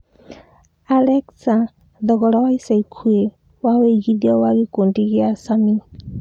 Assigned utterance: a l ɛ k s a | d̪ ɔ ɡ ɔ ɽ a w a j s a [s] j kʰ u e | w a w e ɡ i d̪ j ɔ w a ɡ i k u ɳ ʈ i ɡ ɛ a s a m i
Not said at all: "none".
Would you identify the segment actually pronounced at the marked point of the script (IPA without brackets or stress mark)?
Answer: none